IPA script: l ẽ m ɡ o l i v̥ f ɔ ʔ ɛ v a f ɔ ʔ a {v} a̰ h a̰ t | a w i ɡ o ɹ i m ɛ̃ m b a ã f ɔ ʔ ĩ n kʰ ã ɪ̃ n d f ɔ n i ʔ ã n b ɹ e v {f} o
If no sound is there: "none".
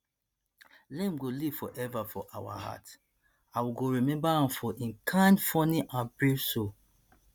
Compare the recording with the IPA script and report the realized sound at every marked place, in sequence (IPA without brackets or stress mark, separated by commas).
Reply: w, s